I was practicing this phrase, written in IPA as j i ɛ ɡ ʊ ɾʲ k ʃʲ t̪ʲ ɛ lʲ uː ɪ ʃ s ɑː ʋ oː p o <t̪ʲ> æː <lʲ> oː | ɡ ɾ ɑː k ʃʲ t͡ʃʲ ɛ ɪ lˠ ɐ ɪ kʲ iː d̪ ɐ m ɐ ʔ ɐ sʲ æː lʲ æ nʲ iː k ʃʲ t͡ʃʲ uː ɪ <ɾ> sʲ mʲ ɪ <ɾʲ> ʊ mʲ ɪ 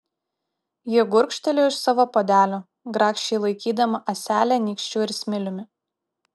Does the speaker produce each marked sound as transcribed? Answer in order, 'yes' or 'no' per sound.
no, yes, yes, no

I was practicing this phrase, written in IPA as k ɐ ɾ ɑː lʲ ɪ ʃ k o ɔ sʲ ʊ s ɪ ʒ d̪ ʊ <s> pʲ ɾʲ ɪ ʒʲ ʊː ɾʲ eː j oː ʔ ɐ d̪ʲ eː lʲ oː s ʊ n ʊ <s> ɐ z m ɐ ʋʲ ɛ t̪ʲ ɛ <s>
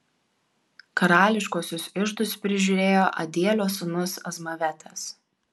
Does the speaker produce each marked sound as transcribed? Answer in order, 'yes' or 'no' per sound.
yes, yes, yes

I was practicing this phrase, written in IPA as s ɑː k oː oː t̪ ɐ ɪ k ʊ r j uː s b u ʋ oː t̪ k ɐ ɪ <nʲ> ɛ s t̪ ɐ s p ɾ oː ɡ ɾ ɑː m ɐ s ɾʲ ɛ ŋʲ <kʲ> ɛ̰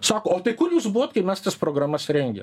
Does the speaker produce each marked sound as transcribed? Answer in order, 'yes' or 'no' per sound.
no, no

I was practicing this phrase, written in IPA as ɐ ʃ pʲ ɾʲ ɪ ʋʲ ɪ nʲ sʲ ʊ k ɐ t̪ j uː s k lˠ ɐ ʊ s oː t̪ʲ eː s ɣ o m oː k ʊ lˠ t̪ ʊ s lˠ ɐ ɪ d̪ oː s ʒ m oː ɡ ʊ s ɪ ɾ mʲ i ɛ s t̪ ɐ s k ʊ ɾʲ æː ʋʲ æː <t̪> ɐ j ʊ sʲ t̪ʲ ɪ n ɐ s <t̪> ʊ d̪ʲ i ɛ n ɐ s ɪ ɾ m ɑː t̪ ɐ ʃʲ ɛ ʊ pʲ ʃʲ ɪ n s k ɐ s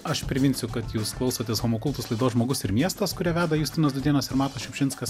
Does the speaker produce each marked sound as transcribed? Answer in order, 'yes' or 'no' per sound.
no, no

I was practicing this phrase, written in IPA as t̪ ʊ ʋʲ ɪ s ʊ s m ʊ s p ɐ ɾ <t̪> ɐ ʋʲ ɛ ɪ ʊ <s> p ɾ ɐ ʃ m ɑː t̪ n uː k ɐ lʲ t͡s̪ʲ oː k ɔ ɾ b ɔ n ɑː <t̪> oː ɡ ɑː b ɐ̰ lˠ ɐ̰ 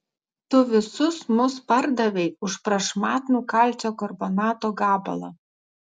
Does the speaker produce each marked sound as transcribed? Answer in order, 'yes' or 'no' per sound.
no, no, yes

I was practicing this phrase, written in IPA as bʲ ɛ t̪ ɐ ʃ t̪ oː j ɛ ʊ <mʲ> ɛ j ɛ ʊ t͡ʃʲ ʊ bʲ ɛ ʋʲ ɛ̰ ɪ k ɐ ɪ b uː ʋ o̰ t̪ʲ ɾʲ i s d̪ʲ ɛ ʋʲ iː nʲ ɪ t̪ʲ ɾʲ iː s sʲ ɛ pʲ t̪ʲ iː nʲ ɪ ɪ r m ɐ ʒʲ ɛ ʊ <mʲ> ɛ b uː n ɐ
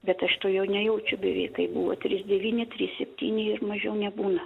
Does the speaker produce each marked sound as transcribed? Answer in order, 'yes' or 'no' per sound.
no, no

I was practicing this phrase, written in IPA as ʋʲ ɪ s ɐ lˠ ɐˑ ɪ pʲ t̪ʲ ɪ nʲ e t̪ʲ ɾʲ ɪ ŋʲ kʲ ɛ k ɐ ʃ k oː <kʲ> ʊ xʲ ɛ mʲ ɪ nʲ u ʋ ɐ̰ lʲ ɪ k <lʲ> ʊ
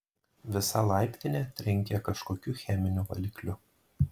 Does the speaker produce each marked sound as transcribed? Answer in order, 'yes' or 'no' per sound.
yes, yes

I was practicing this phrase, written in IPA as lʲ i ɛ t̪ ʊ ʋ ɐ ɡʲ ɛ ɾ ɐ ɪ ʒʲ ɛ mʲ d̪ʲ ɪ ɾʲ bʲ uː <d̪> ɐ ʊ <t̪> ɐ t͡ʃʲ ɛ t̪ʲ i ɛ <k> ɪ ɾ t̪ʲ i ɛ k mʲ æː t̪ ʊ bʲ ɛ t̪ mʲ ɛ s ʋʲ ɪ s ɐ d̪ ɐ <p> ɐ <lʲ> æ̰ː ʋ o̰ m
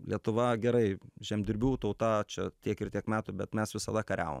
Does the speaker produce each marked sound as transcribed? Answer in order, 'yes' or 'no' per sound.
no, yes, yes, no, no

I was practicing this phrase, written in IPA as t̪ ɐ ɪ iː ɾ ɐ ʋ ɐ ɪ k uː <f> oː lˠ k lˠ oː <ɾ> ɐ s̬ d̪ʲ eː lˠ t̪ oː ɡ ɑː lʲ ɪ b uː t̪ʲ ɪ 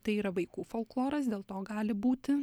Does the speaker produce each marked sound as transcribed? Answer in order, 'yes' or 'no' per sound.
yes, yes

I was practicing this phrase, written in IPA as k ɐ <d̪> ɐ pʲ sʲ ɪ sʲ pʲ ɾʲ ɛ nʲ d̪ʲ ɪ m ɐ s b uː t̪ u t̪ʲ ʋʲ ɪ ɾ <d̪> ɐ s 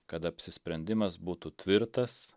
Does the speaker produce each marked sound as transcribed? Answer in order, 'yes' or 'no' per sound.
no, no

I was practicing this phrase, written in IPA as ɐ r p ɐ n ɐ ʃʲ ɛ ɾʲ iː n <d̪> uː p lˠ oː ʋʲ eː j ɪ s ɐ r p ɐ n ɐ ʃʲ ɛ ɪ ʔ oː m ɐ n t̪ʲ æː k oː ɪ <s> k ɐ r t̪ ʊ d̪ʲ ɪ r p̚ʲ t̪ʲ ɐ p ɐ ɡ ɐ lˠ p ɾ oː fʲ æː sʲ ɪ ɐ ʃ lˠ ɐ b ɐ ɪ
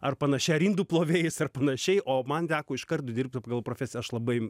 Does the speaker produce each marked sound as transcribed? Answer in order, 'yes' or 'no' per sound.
yes, no

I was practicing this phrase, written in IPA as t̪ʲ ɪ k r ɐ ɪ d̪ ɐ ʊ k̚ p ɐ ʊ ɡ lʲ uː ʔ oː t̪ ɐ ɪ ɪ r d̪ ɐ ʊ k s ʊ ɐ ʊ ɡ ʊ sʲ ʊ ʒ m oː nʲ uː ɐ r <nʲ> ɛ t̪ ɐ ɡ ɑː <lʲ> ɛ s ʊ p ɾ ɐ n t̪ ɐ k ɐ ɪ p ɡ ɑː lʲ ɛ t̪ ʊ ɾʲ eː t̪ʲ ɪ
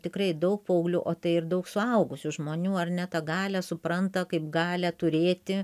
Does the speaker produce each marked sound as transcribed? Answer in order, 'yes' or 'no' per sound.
yes, yes

